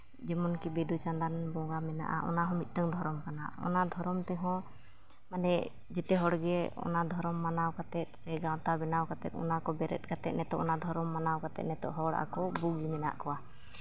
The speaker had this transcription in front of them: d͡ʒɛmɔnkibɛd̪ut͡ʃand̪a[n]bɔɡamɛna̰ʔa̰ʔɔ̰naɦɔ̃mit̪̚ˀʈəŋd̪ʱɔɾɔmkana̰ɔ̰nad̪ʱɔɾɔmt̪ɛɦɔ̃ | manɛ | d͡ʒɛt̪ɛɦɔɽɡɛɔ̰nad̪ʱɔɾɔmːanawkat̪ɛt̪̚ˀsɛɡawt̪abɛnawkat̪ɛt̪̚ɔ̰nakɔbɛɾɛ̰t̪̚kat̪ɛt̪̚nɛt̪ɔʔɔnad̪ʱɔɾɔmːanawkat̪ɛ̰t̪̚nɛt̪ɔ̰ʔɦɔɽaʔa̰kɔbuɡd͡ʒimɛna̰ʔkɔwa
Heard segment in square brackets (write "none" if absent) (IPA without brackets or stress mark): n